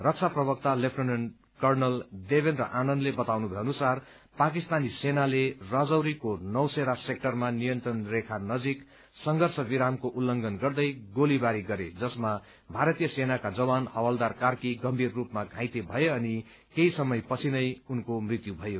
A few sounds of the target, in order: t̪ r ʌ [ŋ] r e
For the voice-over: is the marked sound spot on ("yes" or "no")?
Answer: no